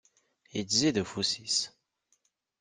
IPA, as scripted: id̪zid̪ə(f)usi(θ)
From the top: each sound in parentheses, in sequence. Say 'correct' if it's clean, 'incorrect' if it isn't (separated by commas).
correct, incorrect